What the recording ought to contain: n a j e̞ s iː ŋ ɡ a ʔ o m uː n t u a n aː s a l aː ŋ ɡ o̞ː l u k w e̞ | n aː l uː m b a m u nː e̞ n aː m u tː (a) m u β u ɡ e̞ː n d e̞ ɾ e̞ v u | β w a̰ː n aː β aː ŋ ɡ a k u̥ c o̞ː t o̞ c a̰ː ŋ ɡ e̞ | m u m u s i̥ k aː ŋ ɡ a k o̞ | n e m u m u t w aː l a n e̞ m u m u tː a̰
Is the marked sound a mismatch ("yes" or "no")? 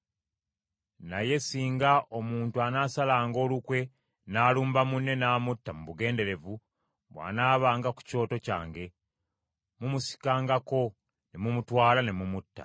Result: no